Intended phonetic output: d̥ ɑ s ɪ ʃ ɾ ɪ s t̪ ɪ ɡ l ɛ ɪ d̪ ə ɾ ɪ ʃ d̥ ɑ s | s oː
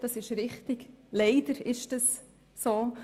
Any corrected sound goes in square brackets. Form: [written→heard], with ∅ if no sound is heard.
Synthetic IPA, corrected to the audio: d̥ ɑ s ɪ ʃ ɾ ɪ [s→χ] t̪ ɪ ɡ l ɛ ɪ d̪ ə ɾ ɪ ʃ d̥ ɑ s | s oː